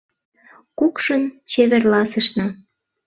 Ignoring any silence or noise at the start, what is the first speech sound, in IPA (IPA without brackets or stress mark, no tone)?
k